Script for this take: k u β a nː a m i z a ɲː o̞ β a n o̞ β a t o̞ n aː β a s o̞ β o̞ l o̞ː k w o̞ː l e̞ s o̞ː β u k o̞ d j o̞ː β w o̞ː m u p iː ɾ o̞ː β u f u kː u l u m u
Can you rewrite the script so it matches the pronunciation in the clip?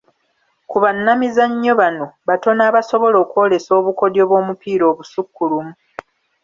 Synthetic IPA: k u β a nː a m i z a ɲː o̞ β a n o̞ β a t o̞ n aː β a s o̞ β o̞ l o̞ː k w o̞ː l e̞ s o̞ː β u k o̞ d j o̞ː β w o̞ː m u p iː ɾ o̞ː β u s u kː u l u m u